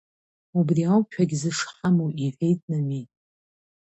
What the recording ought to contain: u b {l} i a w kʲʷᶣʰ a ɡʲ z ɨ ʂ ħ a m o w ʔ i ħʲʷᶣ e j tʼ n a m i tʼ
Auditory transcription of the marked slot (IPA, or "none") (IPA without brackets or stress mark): r